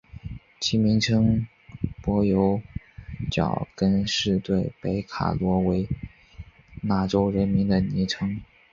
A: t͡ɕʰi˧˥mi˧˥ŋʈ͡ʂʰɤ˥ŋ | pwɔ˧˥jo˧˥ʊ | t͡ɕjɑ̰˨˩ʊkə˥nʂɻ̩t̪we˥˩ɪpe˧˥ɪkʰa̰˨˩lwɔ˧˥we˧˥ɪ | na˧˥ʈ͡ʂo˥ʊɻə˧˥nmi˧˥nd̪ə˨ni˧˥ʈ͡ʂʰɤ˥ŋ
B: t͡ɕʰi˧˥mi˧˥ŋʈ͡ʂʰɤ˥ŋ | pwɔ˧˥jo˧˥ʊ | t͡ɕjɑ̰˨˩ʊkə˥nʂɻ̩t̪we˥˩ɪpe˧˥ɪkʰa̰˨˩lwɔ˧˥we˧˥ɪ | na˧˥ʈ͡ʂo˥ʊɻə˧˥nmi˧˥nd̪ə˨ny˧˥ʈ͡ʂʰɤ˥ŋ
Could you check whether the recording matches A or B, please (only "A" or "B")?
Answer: A